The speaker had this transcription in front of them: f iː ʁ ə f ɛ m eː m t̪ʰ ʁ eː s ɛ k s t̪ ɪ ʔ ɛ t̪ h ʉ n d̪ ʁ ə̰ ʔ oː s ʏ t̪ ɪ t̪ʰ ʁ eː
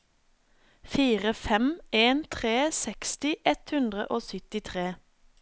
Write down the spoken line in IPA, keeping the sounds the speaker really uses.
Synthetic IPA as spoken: f iː ʁ ə f ɛ m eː n t̪ʰ ʁ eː s ɛ k s t̪ ɪ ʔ ɛ t̪ h ʉ n d̪ ʁ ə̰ ʔ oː s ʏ t̪ ɪ t̪ʰ ʁ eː